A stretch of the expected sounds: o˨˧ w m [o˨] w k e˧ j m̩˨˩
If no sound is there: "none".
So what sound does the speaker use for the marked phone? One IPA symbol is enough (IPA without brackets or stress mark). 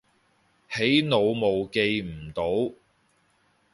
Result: o˨